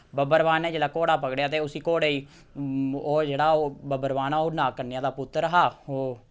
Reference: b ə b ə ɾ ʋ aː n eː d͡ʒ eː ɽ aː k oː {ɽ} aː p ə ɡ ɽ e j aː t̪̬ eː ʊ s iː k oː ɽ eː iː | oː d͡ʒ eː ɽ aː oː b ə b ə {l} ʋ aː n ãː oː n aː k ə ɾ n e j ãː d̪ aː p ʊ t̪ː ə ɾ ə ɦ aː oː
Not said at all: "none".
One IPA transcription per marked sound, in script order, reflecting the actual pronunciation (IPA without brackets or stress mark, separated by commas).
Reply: ɽ, ɾ